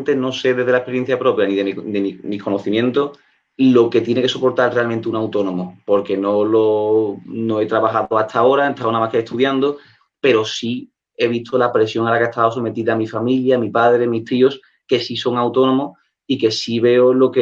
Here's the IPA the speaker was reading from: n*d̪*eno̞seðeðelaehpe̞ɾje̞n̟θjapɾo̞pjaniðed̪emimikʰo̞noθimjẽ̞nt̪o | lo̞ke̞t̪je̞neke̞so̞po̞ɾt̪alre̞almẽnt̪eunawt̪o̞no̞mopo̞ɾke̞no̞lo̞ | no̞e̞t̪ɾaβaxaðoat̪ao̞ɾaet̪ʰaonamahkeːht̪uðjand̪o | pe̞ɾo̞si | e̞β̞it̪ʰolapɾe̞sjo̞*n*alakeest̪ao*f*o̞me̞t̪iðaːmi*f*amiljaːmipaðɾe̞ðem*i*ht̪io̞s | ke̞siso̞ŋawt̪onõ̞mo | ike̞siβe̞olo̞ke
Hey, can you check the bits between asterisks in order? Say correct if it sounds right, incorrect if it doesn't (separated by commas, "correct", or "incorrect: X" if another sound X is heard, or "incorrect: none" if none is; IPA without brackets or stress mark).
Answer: incorrect: t̪, incorrect: ŋ, incorrect: s, correct, correct